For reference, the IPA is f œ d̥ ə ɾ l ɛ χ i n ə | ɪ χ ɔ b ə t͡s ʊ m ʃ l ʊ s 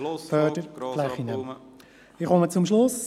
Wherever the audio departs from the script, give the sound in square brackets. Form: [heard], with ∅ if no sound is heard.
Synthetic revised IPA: f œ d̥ ə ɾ l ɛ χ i n ə | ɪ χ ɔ [m] ə t͡s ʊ m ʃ l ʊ s

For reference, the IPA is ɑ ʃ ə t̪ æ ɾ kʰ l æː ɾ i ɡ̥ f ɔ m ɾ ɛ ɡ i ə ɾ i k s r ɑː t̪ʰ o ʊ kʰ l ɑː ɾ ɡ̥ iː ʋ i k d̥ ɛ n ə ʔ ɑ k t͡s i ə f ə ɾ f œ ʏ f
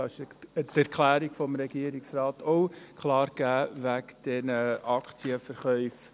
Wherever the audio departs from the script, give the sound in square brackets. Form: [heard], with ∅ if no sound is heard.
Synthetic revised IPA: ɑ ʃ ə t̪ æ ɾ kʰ l æː ɾ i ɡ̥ f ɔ m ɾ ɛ ɡ i ə ɾ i k s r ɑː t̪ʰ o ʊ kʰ l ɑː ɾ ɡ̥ [æː] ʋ [æ] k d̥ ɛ n ə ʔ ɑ k t͡s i ə f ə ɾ [χ] œ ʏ f

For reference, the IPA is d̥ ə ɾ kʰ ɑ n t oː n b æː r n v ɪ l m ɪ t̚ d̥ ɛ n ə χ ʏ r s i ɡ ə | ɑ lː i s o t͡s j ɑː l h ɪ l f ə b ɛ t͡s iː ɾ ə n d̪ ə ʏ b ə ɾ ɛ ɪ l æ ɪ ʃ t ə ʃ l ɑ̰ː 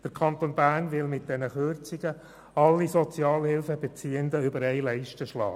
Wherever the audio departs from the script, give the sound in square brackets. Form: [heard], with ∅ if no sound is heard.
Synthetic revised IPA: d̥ ə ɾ kʰ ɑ n t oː n b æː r n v ɪ l m ɪ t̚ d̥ ɛ n ə χ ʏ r [t͡s] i ɡ ə | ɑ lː i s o t͡s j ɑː l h ɪ l f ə b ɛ t͡s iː [∅] ə n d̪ ə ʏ b ə ɾ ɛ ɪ l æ ɪ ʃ t ə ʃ l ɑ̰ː

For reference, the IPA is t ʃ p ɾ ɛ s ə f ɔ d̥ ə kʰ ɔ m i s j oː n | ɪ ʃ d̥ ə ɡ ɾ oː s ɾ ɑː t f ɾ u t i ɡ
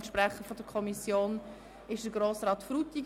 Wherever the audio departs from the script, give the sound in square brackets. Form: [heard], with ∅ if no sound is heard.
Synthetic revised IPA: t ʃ p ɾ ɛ [χ] ə f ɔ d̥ ə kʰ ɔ m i s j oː n | ɪ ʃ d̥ ə ɡ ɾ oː s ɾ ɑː t f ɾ u t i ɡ

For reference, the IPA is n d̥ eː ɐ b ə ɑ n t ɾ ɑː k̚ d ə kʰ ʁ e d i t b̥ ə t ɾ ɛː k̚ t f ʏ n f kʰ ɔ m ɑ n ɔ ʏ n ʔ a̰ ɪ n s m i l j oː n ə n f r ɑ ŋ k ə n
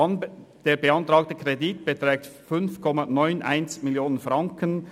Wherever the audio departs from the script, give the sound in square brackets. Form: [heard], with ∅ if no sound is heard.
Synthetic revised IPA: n d̥ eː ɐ b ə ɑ n t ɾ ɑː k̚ [t] ə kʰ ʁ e d i t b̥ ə t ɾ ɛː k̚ t f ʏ n f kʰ ɔ m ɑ n ɔ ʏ n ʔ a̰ ɪ n s m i l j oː n ə n f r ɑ ŋ k ə n

